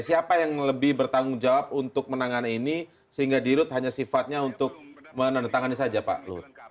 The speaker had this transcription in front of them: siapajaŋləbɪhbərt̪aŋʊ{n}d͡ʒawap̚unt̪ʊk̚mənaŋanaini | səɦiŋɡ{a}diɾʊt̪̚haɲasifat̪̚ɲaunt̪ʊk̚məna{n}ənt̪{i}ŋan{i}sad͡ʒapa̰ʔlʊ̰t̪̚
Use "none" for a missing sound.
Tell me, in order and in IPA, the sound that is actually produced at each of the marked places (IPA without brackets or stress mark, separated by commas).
ŋ, a, n, a, i